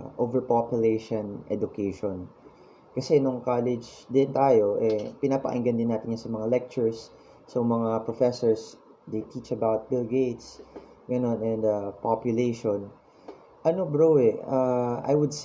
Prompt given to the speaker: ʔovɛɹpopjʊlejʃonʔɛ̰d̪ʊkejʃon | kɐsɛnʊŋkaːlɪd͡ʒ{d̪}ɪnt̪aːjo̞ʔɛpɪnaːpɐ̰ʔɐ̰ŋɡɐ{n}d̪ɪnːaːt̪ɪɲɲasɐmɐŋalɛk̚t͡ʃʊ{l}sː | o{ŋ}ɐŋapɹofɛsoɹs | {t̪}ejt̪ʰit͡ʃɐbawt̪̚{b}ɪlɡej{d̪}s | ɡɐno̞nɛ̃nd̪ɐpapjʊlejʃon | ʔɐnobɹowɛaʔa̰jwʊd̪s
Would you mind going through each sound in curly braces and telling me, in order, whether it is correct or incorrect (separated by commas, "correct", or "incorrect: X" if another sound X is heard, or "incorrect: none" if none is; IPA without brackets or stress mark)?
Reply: correct, correct, incorrect: ɹ, incorrect: m, incorrect: d̪, correct, incorrect: t̪